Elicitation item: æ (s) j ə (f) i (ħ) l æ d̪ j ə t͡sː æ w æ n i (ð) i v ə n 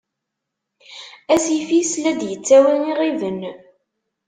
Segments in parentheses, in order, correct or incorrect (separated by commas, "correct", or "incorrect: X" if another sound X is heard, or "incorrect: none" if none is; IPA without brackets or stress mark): correct, correct, incorrect: s, incorrect: ʁ